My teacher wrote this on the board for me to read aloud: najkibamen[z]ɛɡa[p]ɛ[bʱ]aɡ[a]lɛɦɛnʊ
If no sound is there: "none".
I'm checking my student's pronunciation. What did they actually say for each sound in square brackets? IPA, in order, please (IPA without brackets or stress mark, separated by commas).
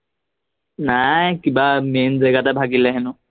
z, t, bʱ, i